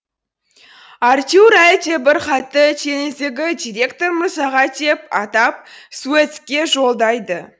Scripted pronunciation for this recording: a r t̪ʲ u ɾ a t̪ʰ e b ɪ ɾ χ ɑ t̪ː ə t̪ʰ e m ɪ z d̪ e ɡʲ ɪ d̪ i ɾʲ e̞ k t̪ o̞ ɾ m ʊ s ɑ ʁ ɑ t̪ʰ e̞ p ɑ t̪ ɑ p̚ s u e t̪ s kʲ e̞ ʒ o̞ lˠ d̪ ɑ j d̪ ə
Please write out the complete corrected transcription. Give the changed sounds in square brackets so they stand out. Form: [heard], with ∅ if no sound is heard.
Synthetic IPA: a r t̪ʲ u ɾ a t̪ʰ e b ɪ ɾ χ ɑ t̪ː ə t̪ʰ e [n] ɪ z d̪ e ɡʲ ɪ d̪ i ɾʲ e̞ k t̪ o̞ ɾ m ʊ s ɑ ʁ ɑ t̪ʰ e̞ p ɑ t̪ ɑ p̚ s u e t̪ s kʲ e̞ ʒ o̞ lˠ d̪ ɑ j d̪ ə